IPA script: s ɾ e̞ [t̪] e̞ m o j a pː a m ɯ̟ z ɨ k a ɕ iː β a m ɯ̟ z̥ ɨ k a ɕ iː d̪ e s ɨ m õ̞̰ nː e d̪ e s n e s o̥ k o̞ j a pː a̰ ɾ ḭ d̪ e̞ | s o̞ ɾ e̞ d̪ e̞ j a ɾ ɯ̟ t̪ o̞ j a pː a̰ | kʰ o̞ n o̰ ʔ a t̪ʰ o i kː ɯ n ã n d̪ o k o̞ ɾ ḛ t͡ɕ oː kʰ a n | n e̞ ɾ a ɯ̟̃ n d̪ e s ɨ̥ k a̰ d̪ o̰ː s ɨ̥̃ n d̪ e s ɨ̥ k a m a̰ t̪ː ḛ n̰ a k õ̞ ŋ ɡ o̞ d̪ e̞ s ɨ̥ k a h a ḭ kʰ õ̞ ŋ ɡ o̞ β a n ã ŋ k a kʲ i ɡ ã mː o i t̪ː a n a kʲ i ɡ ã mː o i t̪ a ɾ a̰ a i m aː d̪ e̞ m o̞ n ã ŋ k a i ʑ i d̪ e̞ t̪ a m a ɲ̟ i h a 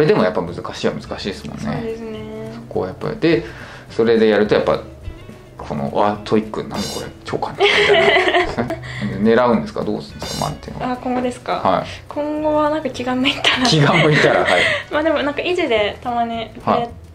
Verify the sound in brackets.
incorrect: d̪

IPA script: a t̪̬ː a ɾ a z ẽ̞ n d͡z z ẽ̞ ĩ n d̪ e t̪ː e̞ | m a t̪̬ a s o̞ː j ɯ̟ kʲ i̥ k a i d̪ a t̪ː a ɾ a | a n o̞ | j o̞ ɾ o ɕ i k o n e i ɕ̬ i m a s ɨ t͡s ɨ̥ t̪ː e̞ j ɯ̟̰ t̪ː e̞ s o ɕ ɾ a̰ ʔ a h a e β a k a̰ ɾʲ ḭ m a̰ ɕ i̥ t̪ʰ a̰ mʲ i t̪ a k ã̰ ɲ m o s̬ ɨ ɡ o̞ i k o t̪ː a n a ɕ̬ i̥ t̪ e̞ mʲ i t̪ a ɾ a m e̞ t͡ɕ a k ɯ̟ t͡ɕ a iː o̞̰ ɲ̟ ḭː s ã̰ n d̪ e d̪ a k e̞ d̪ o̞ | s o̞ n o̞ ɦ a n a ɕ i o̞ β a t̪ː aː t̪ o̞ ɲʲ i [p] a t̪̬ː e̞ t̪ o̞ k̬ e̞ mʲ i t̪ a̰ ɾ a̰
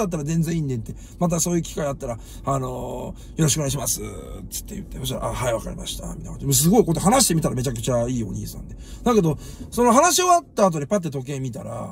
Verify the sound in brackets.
correct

